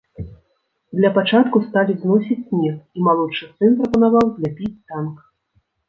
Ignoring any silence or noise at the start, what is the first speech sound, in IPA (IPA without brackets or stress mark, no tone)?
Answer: d̪